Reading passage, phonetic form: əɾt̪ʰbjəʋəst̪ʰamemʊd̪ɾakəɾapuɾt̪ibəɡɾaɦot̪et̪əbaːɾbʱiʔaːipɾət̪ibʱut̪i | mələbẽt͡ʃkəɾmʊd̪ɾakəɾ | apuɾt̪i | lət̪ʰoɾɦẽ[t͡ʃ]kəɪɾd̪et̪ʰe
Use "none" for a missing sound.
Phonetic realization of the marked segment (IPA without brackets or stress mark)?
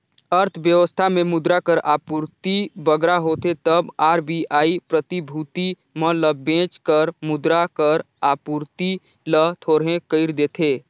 none